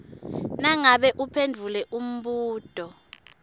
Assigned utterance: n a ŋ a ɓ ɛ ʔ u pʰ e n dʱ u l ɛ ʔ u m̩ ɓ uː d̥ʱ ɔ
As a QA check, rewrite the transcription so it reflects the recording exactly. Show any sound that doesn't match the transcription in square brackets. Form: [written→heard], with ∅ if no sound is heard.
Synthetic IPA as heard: n a ŋ a ɓ ɛ ʔ u pʰ e n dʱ u l ɛ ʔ u m̩ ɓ uː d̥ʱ ɔ